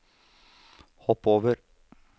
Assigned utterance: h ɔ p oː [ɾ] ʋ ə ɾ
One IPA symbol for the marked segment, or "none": none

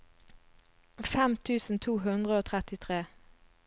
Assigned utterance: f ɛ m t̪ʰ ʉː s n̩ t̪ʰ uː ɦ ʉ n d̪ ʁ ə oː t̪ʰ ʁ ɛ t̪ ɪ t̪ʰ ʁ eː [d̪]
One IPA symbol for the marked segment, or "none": none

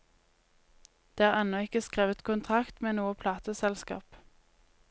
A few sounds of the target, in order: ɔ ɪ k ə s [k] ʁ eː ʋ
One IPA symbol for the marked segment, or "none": k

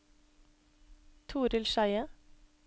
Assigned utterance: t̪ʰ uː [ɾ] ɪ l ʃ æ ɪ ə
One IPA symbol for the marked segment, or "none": ɾ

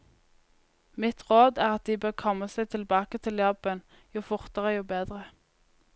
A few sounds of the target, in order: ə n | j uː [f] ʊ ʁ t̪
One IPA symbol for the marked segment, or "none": f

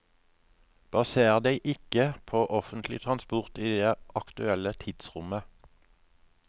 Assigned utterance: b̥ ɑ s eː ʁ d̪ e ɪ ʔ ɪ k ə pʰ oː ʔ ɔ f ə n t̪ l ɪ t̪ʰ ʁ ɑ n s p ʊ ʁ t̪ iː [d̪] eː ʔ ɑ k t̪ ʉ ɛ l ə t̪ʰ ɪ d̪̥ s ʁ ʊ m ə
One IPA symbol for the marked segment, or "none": d̪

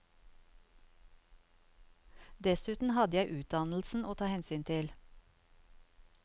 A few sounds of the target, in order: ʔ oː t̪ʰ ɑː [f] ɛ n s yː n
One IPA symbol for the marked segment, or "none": h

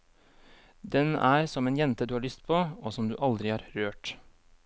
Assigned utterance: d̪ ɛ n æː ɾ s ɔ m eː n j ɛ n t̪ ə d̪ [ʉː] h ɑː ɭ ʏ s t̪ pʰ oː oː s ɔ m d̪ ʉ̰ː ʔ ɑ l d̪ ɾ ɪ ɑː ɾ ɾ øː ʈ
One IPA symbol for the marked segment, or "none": ʉː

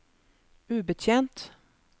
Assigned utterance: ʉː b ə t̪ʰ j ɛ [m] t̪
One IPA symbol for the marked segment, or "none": n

